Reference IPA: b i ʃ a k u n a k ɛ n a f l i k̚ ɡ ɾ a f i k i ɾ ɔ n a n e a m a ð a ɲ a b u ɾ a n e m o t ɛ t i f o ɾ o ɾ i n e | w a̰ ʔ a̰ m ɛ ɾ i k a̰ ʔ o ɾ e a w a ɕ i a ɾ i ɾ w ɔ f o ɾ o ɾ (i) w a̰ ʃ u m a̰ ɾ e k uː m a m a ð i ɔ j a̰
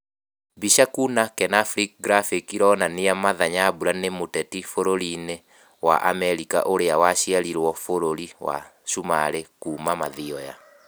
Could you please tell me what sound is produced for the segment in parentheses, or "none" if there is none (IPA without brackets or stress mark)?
i